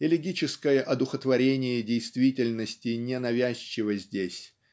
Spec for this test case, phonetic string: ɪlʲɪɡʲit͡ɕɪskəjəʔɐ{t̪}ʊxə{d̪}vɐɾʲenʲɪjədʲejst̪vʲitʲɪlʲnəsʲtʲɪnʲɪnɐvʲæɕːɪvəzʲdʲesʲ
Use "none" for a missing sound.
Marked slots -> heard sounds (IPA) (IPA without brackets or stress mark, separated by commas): d̪, t̪